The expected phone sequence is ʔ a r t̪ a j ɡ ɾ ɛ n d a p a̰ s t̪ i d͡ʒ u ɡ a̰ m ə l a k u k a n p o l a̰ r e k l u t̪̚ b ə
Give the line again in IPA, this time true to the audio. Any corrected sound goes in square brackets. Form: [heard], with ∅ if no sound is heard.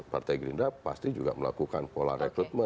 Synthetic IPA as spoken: [p] a r t̪ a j ɡ ɾ [i] n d a p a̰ s t̪ i d͡ʒ u ɡ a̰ m ə l a k u k a n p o l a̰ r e k [ɾ] u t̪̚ [m] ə